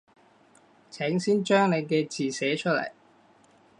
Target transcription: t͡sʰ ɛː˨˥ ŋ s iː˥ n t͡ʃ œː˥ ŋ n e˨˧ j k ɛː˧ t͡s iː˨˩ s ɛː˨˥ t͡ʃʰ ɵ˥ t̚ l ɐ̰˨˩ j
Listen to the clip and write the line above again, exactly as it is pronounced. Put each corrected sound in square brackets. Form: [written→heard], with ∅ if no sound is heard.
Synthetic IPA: t͡sʰ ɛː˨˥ ŋ s iː˥ n t͡ʃ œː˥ ŋ n e˨˧ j k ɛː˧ t͡s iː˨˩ s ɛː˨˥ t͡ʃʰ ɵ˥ t̚ l ɐ̰˨˩ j